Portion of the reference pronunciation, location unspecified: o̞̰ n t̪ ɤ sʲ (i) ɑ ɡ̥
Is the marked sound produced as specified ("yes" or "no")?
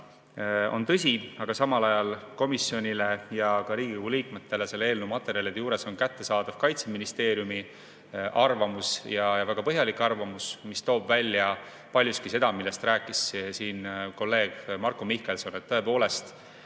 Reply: yes